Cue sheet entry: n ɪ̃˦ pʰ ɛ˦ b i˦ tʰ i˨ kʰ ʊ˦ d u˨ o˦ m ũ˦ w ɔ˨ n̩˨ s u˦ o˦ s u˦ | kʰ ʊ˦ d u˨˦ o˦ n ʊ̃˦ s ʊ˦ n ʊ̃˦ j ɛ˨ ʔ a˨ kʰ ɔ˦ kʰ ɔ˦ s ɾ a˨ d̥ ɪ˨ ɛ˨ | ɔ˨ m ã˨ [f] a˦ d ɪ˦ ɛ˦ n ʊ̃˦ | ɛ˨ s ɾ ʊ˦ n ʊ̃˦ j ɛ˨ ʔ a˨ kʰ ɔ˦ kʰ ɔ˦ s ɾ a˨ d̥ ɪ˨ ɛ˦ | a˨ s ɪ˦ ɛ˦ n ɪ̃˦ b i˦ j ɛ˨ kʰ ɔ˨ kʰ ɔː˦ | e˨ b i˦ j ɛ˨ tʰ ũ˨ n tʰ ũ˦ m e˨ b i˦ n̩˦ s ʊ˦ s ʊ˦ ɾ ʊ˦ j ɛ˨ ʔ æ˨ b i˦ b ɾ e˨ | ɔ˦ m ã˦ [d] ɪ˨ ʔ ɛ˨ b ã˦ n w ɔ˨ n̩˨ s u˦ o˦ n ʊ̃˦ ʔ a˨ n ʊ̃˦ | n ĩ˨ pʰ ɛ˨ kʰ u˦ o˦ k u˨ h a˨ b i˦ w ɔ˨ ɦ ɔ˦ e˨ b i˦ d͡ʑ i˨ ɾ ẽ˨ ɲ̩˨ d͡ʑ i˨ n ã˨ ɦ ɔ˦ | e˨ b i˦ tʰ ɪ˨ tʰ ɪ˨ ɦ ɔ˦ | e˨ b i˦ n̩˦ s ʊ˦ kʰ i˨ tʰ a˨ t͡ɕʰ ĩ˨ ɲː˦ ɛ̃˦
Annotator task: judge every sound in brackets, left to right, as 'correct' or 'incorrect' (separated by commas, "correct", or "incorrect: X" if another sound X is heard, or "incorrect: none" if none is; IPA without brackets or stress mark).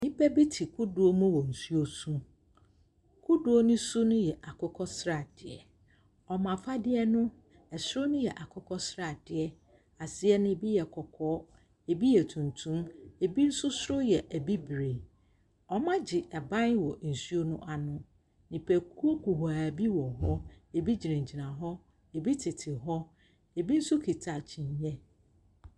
correct, incorrect: d͡ʑ